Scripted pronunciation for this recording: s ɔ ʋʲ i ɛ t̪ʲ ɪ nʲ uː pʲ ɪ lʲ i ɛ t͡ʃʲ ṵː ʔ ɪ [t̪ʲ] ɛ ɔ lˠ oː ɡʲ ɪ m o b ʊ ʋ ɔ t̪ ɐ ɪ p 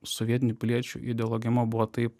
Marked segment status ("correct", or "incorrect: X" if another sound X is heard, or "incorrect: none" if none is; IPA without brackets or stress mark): incorrect: d̪ʲ